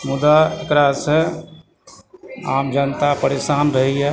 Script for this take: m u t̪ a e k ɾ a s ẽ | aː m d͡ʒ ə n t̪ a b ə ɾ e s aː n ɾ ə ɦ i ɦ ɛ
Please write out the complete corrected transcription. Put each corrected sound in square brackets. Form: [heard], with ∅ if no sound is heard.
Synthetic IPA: m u [d̪] a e k ɾ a s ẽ | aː m d͡ʒ ə n t̪ a [p] ə ɾ e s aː n ɾ ə ɦ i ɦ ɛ